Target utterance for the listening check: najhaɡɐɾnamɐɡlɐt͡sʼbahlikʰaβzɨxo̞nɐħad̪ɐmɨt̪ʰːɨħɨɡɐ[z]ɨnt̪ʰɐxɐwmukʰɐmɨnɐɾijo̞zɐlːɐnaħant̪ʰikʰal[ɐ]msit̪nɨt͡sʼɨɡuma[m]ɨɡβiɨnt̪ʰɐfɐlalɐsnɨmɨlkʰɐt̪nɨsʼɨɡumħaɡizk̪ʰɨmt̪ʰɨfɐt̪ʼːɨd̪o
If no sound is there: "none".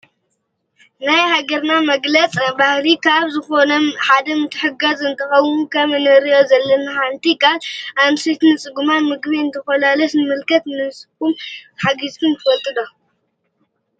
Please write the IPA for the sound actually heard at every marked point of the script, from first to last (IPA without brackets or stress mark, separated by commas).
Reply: z, a, m